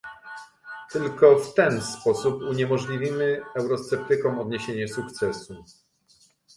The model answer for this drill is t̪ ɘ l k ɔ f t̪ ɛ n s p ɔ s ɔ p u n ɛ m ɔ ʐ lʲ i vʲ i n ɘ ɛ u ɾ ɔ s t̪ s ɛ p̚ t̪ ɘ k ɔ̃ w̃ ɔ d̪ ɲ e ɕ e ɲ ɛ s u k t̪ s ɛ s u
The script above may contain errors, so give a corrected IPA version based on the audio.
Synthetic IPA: t̪ ɘ l k ɔ f t̪ ɛ n s p ɔ s u p u ɲ ɛ m ɔ ʐ lʲ i vʲ i m ɘ ɛ w ɾ ɔ s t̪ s ɛ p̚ t̪ ɘ k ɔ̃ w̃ ɔ d̪ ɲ e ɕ e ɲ ɛ s u k t̪ s ɛ s u